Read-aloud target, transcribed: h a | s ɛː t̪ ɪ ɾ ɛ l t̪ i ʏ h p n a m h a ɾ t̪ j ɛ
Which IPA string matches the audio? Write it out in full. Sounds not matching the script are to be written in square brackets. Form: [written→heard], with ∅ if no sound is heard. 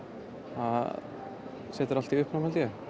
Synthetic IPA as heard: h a | s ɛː t̪ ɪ ɾ [ɛ→a] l t̪ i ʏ h p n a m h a [ɾ→l] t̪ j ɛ